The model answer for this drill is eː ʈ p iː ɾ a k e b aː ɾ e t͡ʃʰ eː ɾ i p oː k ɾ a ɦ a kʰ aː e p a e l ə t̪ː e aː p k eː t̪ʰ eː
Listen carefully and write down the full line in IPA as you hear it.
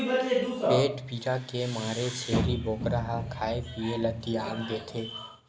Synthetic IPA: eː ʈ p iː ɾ a k e m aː ɾ e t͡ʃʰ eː ɾ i b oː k ɾ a ɦ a kʰ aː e p i e l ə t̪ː i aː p ɡ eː t̪ʰ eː